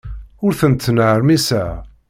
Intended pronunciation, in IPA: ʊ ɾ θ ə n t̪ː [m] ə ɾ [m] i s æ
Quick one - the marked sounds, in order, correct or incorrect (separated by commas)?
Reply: incorrect, correct